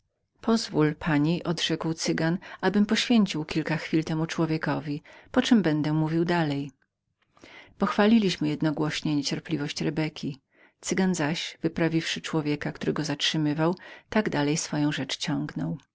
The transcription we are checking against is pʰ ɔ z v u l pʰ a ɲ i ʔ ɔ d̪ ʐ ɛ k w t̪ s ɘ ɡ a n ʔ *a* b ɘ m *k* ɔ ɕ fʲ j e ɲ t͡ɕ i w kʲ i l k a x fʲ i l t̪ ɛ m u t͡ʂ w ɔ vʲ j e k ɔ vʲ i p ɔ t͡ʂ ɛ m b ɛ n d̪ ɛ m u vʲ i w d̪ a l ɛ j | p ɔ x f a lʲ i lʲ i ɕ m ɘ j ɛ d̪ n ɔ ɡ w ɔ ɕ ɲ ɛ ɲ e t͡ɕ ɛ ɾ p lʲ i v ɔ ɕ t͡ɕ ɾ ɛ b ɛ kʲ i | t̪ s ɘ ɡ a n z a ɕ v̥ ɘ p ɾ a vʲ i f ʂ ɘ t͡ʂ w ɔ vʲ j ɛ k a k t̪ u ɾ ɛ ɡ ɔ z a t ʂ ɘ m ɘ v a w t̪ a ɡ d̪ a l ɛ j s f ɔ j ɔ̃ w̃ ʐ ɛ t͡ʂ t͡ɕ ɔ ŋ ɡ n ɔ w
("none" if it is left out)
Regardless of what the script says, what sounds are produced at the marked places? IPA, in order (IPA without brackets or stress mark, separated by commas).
a, p